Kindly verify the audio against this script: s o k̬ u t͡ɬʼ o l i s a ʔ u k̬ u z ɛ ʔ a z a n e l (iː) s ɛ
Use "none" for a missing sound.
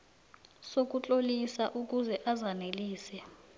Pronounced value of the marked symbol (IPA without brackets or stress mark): iː